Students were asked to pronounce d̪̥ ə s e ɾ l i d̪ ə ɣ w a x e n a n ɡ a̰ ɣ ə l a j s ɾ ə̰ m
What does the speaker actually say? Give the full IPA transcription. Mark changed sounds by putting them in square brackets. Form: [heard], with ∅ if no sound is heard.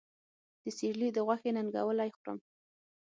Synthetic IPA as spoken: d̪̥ ə s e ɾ l i d̪ ə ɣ w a x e n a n ɡ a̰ [w] ə l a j [x] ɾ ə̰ m